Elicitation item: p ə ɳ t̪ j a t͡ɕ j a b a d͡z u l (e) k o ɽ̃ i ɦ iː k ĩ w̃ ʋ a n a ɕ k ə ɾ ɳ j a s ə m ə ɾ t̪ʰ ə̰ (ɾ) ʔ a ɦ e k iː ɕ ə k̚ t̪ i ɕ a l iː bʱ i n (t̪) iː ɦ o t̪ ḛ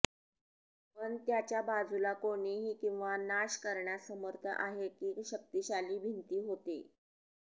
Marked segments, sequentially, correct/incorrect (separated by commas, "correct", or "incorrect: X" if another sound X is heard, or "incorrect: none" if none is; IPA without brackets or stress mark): incorrect: a, incorrect: none, correct